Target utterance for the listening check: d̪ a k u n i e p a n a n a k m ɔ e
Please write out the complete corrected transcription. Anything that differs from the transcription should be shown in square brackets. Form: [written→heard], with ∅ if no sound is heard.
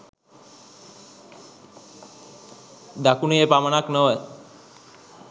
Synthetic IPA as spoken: d̪ a k u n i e p a [n→m] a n a k [m→n] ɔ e